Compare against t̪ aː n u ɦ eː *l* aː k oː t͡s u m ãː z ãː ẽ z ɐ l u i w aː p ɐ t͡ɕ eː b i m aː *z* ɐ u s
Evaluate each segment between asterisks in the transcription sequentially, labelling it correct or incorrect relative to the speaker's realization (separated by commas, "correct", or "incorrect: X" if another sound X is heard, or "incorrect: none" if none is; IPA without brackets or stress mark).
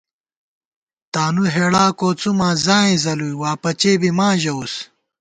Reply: incorrect: ɽ, incorrect: ʑ